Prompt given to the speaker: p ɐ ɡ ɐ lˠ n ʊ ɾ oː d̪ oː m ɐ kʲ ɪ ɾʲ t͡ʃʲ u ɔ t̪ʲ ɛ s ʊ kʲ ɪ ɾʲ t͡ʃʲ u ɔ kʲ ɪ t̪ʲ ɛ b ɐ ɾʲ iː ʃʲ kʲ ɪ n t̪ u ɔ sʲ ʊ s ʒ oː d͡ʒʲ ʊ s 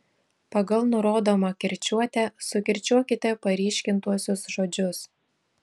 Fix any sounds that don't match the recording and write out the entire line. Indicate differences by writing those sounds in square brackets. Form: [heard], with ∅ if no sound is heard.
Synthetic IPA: p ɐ ɡ ɐ lˠ n ʊ ɾ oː d̪ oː m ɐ kʲ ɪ ɾʲ t͡ʃʲ u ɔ t̪ʲ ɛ s ʊ kʲ ɪ ɾʲ t͡ʃʲ u ɔ kʲ ɪ t̪ʲ ɛ [p] ɐ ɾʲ iː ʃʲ kʲ ɪ n t̪ u ɔ sʲ ʊ s ʒ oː d͡ʒʲ ʊ s